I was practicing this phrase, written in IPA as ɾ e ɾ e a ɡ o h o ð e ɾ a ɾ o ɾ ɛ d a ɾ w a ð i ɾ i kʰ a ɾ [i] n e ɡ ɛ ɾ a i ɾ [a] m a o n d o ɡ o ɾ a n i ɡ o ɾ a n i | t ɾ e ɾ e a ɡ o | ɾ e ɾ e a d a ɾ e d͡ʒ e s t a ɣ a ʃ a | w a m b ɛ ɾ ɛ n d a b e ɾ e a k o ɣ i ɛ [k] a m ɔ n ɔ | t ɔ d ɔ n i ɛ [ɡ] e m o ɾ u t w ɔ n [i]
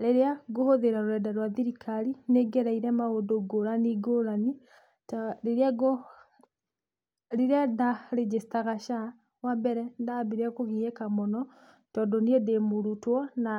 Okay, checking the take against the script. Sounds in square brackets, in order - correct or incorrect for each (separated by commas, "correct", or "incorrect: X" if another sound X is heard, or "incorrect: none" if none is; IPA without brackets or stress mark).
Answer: correct, incorrect: ɛ, correct, incorrect: d, incorrect: a